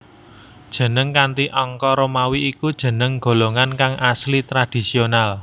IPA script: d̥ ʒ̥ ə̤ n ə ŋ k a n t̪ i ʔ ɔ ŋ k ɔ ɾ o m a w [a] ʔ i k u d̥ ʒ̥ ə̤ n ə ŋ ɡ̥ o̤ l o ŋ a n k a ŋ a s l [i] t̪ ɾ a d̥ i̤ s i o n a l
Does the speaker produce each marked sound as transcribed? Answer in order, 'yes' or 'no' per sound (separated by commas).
no, yes